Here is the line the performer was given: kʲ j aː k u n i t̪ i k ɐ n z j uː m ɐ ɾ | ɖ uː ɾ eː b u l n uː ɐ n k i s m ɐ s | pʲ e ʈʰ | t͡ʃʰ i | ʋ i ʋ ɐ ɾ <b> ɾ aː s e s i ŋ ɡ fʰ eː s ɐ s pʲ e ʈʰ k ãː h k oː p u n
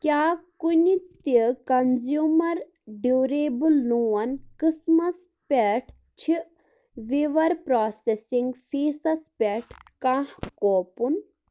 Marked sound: incorrect: p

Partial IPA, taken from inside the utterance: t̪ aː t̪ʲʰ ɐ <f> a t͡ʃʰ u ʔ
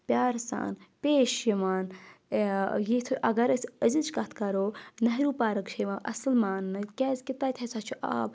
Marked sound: incorrect: s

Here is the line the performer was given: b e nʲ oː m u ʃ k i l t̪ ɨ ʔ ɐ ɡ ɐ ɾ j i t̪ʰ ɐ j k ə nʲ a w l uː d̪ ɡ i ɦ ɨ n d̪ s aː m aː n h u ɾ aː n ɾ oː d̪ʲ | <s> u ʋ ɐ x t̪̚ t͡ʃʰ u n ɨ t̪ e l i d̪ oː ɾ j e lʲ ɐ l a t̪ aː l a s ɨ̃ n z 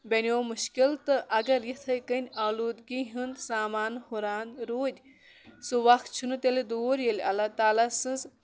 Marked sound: correct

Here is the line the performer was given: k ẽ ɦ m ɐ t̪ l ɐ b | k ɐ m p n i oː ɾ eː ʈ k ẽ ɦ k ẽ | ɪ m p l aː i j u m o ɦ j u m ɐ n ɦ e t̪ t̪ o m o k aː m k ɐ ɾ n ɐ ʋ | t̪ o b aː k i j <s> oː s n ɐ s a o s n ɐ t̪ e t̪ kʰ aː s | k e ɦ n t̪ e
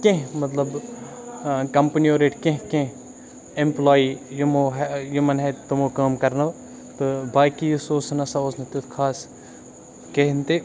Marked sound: correct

